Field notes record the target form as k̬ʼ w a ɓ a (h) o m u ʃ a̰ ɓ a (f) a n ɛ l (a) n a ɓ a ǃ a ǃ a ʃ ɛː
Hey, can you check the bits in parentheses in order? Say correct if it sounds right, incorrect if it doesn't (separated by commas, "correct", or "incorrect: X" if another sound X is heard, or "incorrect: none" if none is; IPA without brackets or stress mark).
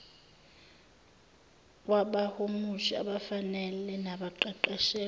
correct, correct, incorrect: ɛ